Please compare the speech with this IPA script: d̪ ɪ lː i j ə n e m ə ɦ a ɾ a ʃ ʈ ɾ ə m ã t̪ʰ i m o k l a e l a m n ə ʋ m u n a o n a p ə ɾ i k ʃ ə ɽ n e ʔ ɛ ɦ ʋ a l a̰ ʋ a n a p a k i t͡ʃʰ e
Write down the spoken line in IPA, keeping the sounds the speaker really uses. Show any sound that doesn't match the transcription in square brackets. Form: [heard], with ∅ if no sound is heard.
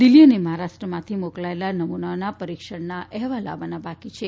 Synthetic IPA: d̪ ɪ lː i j ə n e m ə ɦ a ɾ a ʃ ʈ ɾ ə m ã t̪ʰ i m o k l a e l a [∅] n ə [∅] m u n a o n a p ə ɾ i k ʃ ə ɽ n [a] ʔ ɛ ɦ ʋ a l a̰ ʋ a n a [b] a k i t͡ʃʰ e